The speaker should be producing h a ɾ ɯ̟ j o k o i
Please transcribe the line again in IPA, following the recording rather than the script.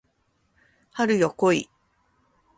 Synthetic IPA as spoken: h a ɾ ɯ̟ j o k o i